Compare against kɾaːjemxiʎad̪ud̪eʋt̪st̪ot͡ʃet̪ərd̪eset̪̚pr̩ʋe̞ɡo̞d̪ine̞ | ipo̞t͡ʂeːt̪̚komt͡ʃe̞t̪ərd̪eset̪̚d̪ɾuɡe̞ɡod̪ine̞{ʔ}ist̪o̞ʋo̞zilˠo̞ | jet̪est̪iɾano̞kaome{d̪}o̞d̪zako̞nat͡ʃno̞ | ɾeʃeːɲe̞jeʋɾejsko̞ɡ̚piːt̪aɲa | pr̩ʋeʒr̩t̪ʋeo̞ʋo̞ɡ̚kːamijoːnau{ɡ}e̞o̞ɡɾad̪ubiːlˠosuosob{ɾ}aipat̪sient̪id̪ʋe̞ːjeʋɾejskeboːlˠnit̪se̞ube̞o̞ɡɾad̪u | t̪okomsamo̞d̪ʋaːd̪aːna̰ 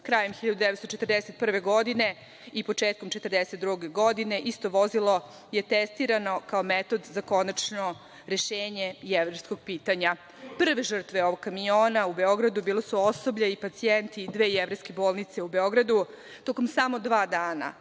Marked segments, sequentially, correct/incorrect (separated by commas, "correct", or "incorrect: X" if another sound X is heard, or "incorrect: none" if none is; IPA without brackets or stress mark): correct, incorrect: t̪, incorrect: b, incorrect: ʎ